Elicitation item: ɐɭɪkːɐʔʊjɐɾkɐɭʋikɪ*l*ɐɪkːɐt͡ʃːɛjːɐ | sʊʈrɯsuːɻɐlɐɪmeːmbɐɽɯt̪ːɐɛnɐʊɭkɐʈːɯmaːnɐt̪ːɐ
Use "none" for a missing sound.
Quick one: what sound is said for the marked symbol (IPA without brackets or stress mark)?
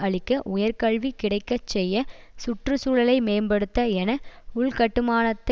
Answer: ɽ